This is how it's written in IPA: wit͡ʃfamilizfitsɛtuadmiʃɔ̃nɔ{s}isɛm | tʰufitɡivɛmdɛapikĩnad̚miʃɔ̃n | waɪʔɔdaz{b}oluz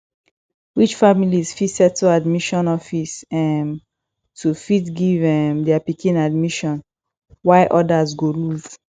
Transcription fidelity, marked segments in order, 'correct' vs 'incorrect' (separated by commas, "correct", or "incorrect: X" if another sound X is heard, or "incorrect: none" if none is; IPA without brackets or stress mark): incorrect: f, incorrect: ɡ